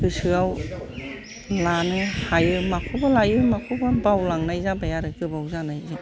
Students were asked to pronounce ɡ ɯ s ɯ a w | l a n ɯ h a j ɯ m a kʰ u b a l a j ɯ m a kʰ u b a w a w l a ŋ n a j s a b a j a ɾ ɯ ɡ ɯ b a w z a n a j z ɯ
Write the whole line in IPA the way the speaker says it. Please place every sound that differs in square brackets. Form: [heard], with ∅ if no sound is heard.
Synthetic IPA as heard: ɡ ɯ s ɯ a w | l a n ɯ h a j ɯ m a kʰ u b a l a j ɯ m a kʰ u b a [b] a w l a ŋ n a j [z] a b a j a ɾ ɯ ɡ ɯ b a w z a n a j z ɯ